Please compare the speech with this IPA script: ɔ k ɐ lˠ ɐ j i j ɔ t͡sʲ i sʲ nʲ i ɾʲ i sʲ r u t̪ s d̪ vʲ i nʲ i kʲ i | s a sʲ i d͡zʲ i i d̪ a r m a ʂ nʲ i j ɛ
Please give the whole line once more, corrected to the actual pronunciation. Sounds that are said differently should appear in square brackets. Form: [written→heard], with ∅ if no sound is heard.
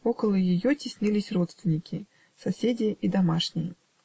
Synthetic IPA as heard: ɔ k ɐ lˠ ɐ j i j ɔ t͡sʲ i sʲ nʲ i [ɾʲ→lʲ] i sʲ r [u→ɔ] t̪ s [d̪→t̪] vʲ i nʲ i kʲ i | s a sʲ [i→e] d͡zʲ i i d̪ a [r→∅] m a ʂ nʲ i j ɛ